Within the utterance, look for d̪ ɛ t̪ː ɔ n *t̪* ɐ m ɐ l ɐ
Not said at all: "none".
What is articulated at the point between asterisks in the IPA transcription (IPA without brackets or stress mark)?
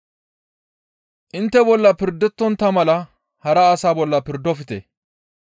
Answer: t̪